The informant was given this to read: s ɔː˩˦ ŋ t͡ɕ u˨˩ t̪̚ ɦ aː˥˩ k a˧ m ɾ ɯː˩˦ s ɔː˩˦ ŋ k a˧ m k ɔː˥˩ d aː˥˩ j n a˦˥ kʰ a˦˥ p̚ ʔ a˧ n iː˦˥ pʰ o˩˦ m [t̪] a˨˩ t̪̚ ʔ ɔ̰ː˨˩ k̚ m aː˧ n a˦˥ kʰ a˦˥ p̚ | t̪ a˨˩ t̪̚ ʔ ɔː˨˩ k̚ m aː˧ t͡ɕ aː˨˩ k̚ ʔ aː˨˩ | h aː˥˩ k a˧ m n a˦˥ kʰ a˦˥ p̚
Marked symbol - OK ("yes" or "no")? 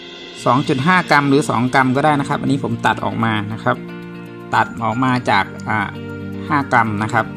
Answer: yes